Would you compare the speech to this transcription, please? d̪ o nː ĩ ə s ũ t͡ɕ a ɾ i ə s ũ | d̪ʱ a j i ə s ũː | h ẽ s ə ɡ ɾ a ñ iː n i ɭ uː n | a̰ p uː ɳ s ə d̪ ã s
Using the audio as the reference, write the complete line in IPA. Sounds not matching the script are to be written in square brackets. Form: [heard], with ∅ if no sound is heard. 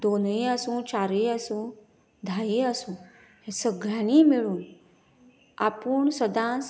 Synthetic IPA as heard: d̪ o [n] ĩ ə s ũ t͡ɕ a ɾ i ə s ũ | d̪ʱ a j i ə s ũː | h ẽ s ə ɡ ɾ a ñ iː [m] i ɭ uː n | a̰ p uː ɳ s ə d̪ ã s